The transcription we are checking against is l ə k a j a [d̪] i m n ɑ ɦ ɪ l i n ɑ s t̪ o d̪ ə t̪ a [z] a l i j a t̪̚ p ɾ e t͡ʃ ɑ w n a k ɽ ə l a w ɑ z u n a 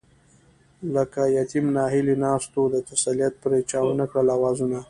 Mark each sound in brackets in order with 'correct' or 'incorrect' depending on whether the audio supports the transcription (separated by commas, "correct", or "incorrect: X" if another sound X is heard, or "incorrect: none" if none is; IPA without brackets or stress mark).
incorrect: t̪, incorrect: s